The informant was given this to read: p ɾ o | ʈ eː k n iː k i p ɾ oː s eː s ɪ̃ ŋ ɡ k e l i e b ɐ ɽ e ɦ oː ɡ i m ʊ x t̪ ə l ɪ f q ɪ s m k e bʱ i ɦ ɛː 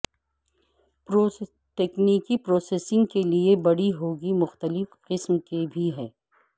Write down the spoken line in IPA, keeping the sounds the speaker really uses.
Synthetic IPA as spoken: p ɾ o | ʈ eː k n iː k i p ɾ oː s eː s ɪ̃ ŋ ɡ k e l i e b ɐ ɽ i ɦ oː ɡ i m ʊ x t̪ ə l ɪ f q ɪ s m k e bʱ i ɦ ɛː

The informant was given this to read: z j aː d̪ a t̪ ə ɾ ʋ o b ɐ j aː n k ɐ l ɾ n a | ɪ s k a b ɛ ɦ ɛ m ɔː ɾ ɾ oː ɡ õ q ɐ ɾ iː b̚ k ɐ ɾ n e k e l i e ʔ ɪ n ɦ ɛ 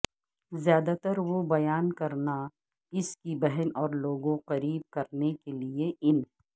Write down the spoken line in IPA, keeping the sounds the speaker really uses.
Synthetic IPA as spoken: z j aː d̪ a t̪ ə ɾ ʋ o b ɐ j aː n k ɐ ɾ n a | ɪ s k i b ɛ ɦ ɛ n ɔː ɾ l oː ɡ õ q ɐ ɾ iː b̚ k ɐ ɾ n e k e l i e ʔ ɪ n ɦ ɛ

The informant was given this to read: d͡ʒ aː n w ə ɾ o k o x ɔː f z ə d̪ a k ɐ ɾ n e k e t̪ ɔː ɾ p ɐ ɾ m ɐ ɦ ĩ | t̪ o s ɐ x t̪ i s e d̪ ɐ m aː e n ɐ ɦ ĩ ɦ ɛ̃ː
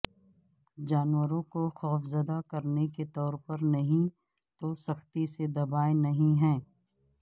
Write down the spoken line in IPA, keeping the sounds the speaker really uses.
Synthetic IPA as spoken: d͡ʒ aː n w ə ɾ õ k o x ɔː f z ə d̪ a k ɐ ɾ n e k e t̪ ɔː ɾ p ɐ ɾ n ɐ ɦ ĩ | t̪ o s ɐ x t̪ i s e d̪ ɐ b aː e n ɐ ɦ ĩ ɦ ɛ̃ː

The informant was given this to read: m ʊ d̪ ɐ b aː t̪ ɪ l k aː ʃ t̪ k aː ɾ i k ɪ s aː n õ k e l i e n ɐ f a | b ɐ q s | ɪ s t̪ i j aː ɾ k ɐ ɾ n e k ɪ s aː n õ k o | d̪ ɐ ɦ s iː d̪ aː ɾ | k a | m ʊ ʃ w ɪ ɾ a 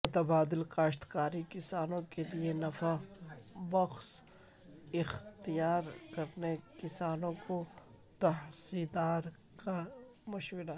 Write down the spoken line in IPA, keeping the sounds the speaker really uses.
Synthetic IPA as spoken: m ʊ t̪ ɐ b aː d̪ ɪ l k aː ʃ t̪ k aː ɾ i k ɪ s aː n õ k e l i e n ɐ f a | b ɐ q s | ɪ x t̪ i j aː ɾ k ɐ ɾ n e k ɪ s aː n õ k o | t̪ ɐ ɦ s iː d̪ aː ɾ | k a | m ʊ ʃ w ɪ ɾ a

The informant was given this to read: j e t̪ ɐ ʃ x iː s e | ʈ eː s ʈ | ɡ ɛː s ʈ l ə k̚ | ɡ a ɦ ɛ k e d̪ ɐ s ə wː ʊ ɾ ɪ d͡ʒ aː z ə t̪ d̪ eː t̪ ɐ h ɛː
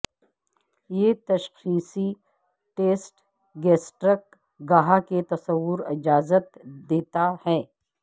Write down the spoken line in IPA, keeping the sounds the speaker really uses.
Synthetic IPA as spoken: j e t̪ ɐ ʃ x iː s i | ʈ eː s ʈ | ɡ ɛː s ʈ ɾ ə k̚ | ɡ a ɦ a k e t̪ ɐ s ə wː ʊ ɾ ɪ d͡ʒ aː z ə t̪ d̪ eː t̪ a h ɛː

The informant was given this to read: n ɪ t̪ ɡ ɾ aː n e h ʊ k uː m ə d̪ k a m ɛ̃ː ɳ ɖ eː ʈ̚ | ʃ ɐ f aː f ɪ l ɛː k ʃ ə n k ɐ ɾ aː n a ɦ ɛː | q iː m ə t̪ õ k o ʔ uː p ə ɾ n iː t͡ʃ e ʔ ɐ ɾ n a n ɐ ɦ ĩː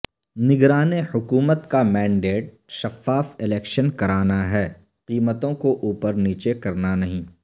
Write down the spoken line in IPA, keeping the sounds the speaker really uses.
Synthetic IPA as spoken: n ɪ ɡ ɾ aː n e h ʊ k uː m ə t̪ k a m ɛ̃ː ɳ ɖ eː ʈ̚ | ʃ ɐ f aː f ɪ l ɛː k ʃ ə n k ɐ ɾ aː n a ɦ ɛː | q iː m ə t̪ õ k o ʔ uː p ə ɾ n iː t͡ʃ e k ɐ ɾ n a n ɐ ɦ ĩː

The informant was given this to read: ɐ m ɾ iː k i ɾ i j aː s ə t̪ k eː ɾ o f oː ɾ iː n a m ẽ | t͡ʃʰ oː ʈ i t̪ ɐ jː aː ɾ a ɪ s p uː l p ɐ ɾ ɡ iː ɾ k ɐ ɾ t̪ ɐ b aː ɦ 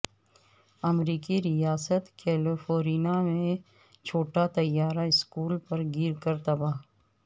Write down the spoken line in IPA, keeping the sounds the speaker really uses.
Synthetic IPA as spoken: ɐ m ɾ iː k i ɾ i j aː s ə t̪ k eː l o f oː ɾ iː n a m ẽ | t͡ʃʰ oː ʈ a t̪ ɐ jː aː ɾ a ɪ s k uː l p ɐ ɾ ɡ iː ɾ k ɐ ɾ t̪ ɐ b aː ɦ

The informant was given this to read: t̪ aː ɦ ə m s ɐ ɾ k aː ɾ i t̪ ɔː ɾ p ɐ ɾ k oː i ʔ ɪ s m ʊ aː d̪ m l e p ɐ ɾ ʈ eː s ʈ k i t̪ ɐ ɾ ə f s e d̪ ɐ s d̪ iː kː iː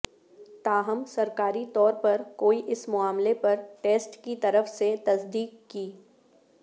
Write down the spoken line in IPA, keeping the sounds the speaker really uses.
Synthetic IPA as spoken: t̪ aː ɦ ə m s ɐ ɾ k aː ɾ i t̪ ɔː ɾ p ɐ ɾ k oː i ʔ ɪ s m ʊ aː m l e p ɐ ɾ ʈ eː s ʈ k i t̪ ɐ ɾ ə f s e t̪ ɐ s d̪ iː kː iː

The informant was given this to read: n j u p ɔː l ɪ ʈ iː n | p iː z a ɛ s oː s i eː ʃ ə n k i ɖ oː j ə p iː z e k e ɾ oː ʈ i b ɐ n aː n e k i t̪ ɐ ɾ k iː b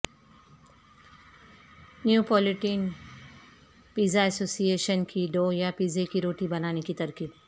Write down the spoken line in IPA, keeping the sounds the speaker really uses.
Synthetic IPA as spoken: n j u p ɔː l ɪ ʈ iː n | p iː z a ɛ s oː s i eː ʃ ə n k i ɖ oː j a p iː z e k i ɾ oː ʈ i b ɐ n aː n e k i t̪ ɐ ɾ k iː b

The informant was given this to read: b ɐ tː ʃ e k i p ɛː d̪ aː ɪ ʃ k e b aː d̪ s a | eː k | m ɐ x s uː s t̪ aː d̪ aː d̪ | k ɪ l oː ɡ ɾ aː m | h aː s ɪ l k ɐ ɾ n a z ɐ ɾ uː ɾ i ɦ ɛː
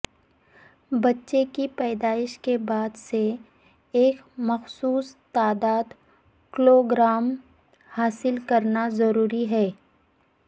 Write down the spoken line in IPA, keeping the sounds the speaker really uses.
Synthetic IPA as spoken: b ɐ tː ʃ e k i p ɛː d̪ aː ɪ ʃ k e b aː d̪ s e | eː k | m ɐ x s uː s t̪ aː d̪ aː d̪ | k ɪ l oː ɡ ɾ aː m | h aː s ɪ l k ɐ ɾ n a z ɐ ɾ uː ɾ i ɦ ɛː

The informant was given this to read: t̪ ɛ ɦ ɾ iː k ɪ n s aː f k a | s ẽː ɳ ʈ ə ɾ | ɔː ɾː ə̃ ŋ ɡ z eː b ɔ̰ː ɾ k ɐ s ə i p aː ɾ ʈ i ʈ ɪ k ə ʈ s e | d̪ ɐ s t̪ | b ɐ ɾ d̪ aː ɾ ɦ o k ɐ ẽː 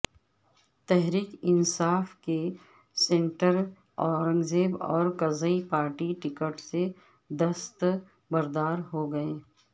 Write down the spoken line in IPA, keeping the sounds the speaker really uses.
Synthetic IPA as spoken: t̪ ɛ ɦ ɾ iː k ɪ n s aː f k e | s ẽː ɳ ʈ ə ɾ | ɔː ɾ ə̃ ŋ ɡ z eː b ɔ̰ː ɾ k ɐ z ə i p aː ɾ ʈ i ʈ ɪ k ə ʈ s e | d̪ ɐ s t̪ | b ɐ ɾ d̪ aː ɾ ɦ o ɡ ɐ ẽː

